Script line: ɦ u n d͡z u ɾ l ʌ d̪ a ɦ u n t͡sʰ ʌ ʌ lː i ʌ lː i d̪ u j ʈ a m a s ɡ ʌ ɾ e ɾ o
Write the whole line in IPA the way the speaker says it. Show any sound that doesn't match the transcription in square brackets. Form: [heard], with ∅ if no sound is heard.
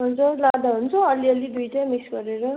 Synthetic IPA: ɦ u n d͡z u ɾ l [a] d̪ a ɦ u n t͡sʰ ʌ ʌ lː i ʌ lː i d̪ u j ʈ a m [i] s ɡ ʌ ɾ e ɾ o

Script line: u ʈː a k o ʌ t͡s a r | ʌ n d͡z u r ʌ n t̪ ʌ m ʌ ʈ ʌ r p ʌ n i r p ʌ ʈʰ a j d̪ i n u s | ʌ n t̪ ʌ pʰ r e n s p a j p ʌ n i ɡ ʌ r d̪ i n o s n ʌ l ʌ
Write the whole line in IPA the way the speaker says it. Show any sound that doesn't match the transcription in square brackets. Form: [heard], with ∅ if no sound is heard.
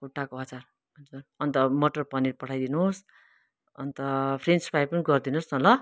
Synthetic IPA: u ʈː a k o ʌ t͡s a r | ʌ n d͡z u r ʌ n t̪ ʌ m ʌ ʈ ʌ r p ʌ n i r p ʌ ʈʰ a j d̪ i n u s | ʌ n t̪ ʌ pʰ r e n s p a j p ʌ n i ɡ ʌ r d̪ i n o s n ʌ l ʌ

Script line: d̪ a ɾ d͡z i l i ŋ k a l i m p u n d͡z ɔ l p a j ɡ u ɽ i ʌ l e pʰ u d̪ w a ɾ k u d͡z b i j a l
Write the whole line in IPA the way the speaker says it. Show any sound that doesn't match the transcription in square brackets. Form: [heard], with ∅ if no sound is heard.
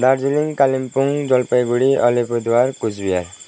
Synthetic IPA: d̪ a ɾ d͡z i l i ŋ k a l i m p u [ŋ] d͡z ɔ l p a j ɡ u ɽ i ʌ l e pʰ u d̪ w a ɾ k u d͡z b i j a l

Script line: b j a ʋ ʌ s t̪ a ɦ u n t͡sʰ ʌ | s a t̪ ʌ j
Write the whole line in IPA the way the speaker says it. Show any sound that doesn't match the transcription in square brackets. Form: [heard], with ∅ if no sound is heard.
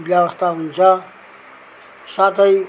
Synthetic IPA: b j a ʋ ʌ s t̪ a ɦ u n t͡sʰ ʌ | s a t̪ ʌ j

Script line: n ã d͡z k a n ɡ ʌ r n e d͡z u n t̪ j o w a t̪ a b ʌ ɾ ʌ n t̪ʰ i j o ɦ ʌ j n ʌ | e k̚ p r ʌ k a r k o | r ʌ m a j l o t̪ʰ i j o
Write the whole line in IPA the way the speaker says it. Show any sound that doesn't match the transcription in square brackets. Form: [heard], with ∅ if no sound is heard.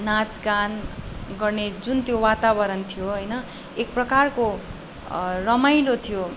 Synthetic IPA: n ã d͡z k a n ɡ ʌ r n e d͡z u n t̪ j o w a t̪ a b ʌ ɾ ʌ n t̪ʰ i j o ɦ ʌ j n ʌ | e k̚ p r ʌ k a r k o | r ʌ m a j l o t̪ʰ i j o

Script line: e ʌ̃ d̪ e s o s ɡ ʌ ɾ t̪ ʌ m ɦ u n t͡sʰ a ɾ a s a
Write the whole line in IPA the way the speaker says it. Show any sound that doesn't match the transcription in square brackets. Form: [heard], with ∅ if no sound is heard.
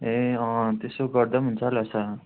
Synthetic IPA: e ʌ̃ [t̪] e s o [∅] ɡ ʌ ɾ [d̪] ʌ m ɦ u n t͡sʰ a [l] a s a

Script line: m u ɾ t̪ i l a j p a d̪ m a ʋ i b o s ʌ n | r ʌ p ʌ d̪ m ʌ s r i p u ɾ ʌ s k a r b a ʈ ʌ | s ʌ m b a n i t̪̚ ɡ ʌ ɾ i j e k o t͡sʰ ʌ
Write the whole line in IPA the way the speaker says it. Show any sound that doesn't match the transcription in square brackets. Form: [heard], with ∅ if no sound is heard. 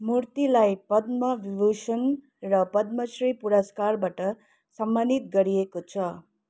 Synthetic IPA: m u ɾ t̪ i l a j p [ʌ] d̪ m [ʌ] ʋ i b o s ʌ n | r ʌ p ʌ d̪ m ʌ s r i p u ɾ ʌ s k a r b a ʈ ʌ | s ʌ m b a n i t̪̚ ɡ ʌ ɾ i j e k o t͡sʰ ʌ

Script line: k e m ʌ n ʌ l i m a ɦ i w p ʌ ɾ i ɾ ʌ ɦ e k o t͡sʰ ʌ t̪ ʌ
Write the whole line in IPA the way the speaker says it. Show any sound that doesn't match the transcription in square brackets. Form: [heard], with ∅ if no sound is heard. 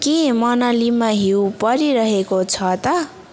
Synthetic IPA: k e m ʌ n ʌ l i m a ɦ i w p ʌ ɾ i ɾ ʌ ɦ e k o t͡sʰ ʌ t̪ ʌ

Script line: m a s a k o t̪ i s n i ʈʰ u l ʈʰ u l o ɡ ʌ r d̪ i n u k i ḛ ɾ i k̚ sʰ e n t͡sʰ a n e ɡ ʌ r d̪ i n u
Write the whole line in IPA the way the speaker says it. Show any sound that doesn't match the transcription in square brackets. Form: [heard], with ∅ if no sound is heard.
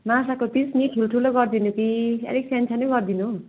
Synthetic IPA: m a s a k o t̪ i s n i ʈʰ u l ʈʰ u l o ɡ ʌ r d̪ i n u k i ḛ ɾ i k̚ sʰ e n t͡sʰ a n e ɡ ʌ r d̪ i n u

